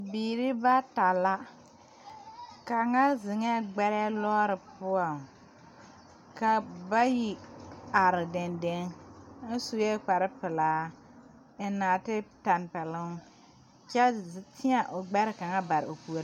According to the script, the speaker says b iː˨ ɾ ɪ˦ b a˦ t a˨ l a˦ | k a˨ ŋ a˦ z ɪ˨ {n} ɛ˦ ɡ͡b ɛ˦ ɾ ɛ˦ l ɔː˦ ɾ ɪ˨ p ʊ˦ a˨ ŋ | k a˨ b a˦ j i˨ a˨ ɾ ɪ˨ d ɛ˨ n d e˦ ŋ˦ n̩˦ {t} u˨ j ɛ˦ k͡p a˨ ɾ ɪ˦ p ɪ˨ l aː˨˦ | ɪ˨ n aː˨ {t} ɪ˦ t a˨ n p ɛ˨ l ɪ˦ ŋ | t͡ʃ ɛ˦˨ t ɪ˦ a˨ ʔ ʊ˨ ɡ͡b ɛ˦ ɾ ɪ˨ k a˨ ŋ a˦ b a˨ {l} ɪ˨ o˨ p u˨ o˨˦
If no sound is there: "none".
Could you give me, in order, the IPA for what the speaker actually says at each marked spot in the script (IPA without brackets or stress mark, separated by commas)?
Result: ŋ, s, t, ɾ